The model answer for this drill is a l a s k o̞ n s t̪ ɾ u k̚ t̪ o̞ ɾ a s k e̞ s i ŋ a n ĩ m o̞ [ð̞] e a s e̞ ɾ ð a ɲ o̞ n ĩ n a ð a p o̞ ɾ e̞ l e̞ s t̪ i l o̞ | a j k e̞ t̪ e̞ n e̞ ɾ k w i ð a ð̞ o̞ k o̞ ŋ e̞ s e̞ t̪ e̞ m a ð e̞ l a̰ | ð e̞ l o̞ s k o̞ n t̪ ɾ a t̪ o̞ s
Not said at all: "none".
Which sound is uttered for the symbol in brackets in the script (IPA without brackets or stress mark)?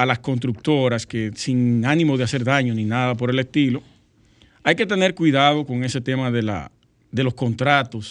ð̞